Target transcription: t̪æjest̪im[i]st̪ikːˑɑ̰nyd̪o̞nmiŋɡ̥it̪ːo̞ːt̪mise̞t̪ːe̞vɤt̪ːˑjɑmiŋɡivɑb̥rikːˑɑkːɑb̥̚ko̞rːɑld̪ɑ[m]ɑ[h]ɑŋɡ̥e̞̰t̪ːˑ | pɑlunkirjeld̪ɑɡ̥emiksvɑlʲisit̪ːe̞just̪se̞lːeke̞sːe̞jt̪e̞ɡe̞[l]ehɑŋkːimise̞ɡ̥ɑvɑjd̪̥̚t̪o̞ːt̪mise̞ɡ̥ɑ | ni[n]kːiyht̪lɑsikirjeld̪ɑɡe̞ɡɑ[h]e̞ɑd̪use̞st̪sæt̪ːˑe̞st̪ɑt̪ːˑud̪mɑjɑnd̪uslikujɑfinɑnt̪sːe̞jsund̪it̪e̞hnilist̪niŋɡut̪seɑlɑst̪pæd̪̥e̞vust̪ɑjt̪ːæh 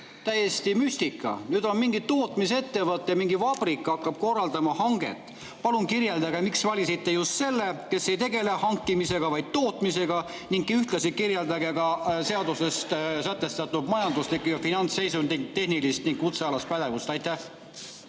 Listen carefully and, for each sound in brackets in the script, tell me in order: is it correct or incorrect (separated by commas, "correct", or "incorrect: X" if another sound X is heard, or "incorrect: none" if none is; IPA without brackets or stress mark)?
incorrect: y, correct, correct, correct, incorrect: ŋ, incorrect: s